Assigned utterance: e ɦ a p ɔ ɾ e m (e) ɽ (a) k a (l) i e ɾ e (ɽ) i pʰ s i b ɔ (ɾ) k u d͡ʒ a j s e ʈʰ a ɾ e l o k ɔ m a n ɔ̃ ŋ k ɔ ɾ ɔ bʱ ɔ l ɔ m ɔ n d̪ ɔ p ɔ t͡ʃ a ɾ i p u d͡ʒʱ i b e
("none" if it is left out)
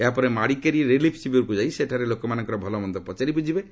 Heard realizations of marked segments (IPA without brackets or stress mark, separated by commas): a, i, ɾ, l, ɾ